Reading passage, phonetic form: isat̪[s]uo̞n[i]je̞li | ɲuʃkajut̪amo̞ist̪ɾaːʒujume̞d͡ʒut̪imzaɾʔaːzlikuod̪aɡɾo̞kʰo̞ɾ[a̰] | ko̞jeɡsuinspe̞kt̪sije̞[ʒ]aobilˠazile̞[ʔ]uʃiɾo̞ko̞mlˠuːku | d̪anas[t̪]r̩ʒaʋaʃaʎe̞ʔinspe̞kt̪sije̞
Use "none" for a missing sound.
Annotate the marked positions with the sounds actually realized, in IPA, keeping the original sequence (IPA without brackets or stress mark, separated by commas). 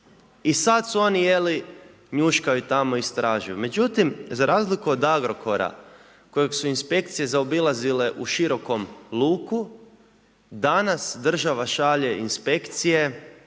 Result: s, i, a̰, z, ʔ, d̪